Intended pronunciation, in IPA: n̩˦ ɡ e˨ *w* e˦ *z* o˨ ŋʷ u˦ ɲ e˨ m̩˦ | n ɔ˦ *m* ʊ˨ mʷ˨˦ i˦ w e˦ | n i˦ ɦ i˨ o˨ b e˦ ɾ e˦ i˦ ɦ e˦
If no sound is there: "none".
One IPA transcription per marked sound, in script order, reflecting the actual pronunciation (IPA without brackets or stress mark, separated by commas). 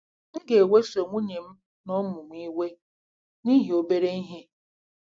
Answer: w, s, m